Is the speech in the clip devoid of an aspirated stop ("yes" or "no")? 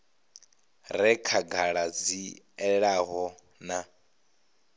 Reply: no